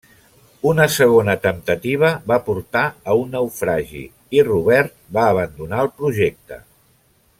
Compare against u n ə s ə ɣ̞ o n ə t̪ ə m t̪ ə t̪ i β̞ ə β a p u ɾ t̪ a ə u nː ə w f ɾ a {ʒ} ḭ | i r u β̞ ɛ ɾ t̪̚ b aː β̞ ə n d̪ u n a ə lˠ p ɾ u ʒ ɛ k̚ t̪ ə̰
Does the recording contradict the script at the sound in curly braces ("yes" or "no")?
no